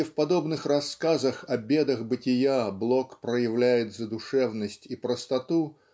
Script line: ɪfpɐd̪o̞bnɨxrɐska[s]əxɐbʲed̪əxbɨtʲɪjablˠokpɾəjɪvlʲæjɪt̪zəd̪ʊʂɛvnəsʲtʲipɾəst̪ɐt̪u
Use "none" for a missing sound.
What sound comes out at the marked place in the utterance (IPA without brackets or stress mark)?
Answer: z